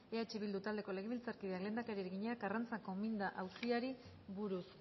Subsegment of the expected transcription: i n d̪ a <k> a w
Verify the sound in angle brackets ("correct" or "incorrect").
incorrect